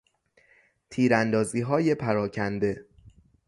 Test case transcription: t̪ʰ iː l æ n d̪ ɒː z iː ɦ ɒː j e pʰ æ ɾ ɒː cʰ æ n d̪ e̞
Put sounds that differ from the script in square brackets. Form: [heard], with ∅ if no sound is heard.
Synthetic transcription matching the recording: t̪ʰ iː [ɾ] æ n d̪ ɒː z iː ɦ ɒː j e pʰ æ ɾ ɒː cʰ æ n d̪ e̞